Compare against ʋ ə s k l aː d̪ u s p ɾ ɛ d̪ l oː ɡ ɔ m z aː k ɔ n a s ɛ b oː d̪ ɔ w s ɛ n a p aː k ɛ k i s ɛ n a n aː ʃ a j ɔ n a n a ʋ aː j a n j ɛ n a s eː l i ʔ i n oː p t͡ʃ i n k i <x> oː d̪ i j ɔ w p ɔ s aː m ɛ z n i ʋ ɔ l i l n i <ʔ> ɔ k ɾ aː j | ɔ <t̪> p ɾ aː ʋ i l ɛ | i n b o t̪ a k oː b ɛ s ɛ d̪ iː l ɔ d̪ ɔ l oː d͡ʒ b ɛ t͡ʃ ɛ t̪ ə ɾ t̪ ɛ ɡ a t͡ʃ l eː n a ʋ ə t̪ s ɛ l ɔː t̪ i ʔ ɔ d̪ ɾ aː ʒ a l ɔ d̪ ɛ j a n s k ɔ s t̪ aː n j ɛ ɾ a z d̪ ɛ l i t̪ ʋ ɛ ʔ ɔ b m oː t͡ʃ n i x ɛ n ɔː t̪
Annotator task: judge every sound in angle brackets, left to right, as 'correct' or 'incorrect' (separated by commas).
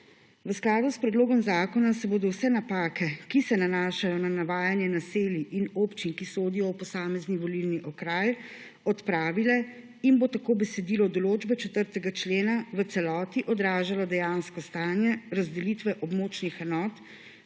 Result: incorrect, correct, correct